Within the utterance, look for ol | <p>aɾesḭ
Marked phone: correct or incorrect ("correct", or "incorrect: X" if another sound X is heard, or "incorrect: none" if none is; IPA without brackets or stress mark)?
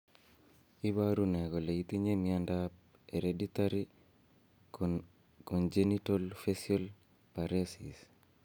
correct